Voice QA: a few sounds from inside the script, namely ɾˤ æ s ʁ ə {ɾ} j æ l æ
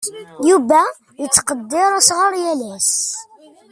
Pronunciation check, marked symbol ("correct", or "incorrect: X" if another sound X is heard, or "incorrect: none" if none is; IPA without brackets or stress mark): correct